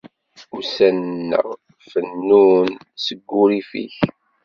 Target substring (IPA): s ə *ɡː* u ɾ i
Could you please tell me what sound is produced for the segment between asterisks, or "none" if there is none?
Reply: ɡː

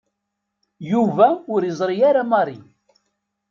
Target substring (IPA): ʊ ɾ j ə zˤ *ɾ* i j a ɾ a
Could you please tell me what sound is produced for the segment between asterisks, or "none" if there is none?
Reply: ɾ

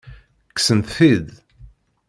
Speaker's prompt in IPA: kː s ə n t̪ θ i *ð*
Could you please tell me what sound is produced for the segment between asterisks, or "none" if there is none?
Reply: ð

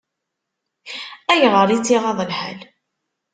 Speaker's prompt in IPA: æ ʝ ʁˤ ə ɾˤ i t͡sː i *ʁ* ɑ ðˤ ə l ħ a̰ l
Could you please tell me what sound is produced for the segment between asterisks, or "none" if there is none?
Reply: ʁ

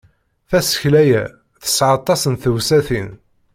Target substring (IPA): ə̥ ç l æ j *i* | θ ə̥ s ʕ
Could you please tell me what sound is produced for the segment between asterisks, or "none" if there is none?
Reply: æ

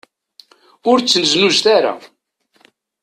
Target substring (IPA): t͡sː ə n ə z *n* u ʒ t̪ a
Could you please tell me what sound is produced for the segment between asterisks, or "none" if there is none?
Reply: n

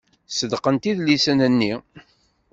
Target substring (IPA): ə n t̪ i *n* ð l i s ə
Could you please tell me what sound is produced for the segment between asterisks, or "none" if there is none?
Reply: none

